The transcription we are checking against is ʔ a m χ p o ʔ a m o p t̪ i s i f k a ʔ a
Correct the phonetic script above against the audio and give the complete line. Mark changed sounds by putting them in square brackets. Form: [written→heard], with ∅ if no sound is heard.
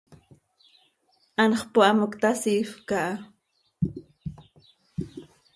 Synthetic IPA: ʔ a [m→n] χ p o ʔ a m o [p→k] t̪ [i→a] s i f k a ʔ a